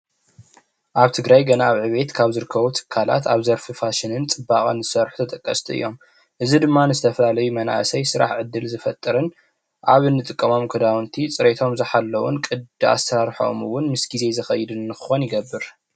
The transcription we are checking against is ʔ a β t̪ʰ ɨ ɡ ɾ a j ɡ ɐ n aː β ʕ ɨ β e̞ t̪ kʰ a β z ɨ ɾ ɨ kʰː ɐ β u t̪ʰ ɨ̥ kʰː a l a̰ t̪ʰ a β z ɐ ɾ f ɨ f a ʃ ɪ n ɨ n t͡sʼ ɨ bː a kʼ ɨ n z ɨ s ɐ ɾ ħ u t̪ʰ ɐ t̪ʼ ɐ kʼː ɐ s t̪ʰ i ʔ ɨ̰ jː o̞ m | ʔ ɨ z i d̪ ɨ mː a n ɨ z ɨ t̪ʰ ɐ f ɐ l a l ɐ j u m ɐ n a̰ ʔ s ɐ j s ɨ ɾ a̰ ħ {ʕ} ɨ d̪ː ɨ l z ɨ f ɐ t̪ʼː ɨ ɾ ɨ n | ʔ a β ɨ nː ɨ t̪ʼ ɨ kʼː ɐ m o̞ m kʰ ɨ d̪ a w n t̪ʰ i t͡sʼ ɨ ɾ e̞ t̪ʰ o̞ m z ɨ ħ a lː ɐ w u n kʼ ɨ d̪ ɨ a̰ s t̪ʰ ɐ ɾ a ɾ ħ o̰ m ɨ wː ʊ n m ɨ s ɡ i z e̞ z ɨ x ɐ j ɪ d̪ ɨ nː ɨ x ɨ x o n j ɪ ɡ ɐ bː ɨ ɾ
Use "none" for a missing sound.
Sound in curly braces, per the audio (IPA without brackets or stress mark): ʕ